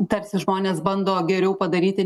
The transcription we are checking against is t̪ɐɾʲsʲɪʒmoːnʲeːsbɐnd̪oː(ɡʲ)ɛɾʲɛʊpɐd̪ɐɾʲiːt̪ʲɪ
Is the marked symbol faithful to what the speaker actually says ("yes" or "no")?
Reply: yes